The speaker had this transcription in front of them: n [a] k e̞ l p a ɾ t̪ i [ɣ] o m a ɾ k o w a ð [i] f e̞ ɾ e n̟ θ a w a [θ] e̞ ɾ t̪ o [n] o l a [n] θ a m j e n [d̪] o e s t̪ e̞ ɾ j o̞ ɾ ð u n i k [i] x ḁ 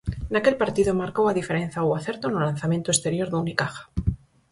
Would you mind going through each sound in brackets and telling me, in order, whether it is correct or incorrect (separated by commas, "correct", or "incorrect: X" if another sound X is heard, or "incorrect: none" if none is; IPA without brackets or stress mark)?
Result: correct, incorrect: ð, correct, correct, correct, correct, incorrect: t̪, incorrect: a